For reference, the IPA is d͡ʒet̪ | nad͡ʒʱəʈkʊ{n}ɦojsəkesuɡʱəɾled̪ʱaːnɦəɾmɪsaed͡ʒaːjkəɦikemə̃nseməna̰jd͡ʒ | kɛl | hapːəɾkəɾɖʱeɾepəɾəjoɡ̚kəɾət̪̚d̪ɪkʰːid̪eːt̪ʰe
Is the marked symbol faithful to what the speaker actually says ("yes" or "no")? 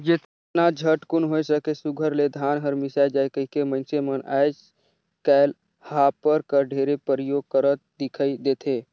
yes